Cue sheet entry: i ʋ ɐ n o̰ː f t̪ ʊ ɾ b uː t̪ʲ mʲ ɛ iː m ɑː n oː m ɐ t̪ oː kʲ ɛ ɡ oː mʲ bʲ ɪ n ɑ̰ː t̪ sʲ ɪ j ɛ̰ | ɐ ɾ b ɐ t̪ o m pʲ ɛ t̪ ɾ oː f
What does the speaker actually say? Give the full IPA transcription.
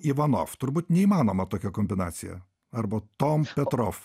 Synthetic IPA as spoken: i ʋ ɐ n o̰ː f t̪ ʊ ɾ b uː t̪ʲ nʲ ɛ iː m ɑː n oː m ɐ t̪ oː kʲ ɛ k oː mʲ bʲ ɪ n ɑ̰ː t̪ sʲ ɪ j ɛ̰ | ɐ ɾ b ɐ t̪ o m pʲ ɛ t̪ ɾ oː f